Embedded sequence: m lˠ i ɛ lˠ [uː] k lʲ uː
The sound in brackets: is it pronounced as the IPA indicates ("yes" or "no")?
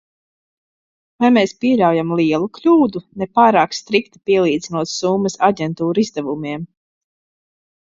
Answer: no